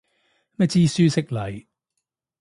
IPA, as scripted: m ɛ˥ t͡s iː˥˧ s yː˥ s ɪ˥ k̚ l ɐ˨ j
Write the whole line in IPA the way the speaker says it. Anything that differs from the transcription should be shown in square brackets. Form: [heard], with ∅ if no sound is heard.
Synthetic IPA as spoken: m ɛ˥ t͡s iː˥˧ s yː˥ s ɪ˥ k̚ l ɐ˨ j